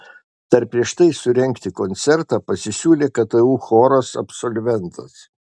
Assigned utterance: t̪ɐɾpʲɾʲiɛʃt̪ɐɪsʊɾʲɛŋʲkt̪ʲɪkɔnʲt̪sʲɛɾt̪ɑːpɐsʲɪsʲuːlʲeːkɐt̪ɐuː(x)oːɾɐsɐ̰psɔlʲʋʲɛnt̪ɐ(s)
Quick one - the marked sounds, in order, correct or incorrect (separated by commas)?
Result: correct, correct